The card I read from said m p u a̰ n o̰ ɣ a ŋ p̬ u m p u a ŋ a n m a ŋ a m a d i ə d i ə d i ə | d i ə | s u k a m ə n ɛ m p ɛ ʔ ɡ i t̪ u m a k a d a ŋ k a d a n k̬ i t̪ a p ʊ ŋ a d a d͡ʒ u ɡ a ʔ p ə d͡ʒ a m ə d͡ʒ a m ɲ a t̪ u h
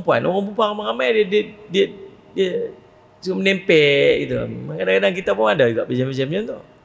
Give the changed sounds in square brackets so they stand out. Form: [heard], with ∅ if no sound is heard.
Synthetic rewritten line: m p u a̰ n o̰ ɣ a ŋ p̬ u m p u a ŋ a [∅] m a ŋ a m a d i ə d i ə d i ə | d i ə | s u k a m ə n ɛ m p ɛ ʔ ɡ i t̪ u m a k a d a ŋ k a d a [ŋ] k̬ i t̪ a p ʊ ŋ a d a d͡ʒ u ɡ a ʔ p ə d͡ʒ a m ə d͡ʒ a m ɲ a t̪ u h